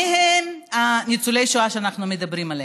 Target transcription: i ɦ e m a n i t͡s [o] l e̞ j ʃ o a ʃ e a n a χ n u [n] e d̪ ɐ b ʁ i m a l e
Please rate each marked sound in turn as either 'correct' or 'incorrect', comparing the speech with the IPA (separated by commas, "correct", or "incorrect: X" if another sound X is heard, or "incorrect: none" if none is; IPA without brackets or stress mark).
incorrect: u, incorrect: m